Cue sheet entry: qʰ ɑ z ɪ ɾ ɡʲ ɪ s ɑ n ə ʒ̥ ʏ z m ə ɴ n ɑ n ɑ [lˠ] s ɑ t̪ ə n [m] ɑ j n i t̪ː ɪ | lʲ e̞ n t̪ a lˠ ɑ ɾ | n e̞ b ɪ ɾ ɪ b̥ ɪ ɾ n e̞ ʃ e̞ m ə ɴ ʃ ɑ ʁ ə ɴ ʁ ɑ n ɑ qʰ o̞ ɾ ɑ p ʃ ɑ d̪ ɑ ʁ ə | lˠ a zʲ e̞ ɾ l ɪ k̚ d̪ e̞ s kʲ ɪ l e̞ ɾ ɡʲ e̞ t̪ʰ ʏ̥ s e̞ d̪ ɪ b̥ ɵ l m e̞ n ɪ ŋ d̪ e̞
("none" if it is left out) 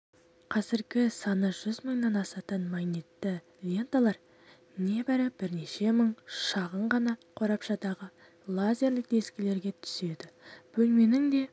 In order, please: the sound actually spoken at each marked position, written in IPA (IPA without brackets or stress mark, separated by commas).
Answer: none, m